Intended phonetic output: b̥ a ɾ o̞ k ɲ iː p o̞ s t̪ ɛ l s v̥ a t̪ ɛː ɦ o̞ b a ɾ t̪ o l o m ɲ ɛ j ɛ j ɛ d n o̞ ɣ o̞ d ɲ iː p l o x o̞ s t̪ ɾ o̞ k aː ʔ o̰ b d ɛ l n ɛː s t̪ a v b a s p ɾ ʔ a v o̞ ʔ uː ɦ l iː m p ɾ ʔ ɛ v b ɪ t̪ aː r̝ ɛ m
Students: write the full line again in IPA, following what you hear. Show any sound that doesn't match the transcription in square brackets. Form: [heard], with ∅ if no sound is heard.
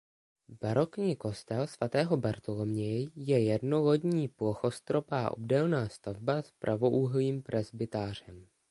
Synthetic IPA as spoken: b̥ a ɾ o̞ k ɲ iː [k] o̞ s t̪ ɛ l s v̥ a t̪ ɛː ɦ o̞ b a ɾ t̪ o l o m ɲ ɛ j ɛ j ɛ d n o̞ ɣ o̞ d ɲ iː p l o x o̞ s t̪ ɾ o̞ [p] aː ʔ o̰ b d ɛ l n [aː] s t̪ a v b a s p ɾ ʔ a v o̞ ʔ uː ɦ l iː m p ɾ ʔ ɛ [z] b ɪ t̪ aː r̝ ɛ m